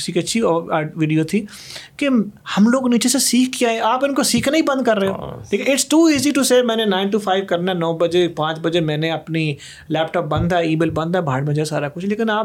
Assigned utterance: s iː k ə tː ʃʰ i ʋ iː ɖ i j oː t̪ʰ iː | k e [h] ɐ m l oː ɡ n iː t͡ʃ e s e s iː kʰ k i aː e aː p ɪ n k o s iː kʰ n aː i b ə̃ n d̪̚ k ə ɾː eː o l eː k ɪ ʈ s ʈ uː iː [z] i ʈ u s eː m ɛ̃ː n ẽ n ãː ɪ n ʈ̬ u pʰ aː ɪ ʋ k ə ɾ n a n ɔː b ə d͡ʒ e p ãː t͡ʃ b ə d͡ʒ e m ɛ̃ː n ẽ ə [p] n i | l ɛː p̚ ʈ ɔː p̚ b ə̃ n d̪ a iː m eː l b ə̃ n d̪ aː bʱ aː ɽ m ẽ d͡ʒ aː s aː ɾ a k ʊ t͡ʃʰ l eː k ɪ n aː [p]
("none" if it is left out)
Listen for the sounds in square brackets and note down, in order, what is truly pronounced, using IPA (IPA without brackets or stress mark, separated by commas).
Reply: h, z, p, p